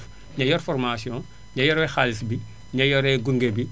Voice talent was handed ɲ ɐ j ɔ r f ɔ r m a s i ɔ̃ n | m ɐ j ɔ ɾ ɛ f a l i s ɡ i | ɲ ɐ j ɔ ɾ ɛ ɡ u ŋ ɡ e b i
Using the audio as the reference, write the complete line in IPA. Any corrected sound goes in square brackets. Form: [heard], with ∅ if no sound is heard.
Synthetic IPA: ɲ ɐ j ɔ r f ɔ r m a s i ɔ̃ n | [ɲ] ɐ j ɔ ɾ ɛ [x] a l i s [b] i | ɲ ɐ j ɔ ɾ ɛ ɡ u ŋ ɡ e b i